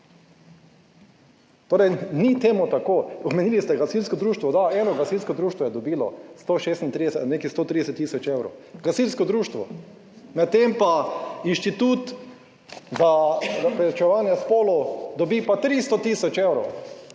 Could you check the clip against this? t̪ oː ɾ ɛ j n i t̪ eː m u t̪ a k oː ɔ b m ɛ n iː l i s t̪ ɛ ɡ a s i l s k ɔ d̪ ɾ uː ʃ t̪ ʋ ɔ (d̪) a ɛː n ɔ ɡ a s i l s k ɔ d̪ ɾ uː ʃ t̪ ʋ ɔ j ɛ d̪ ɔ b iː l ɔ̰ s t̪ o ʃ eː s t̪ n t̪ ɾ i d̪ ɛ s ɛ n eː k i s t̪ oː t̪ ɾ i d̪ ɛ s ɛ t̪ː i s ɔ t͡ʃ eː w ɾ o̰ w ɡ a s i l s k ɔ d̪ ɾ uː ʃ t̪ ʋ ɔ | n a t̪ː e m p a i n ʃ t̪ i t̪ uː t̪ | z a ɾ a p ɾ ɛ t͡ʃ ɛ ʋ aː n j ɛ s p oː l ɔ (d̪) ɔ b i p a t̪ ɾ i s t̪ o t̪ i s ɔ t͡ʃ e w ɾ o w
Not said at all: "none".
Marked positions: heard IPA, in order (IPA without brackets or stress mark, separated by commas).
d̪, d̪